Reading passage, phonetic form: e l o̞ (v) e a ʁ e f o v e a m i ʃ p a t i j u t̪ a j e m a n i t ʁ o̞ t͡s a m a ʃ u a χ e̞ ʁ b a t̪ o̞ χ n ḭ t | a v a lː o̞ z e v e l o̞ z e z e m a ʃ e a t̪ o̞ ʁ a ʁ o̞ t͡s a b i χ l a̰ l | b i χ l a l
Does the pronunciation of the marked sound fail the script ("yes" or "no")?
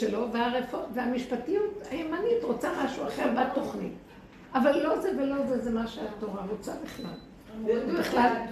no